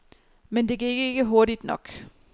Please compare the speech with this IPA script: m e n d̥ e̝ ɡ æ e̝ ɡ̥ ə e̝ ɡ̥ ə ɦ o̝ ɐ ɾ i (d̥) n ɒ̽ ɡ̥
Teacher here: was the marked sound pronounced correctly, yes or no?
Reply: yes